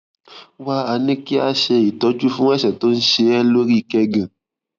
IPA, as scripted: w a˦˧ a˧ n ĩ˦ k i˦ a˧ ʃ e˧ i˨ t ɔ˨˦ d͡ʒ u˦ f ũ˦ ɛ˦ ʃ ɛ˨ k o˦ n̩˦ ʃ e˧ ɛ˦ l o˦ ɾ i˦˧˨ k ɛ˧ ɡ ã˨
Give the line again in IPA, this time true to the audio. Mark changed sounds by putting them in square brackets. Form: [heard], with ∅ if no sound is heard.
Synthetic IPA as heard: w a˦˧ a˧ n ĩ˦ k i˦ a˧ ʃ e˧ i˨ t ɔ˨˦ d͡ʒ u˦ f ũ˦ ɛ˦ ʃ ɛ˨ [t] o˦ n̩˦ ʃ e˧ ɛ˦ l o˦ ɾ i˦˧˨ k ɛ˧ ɡ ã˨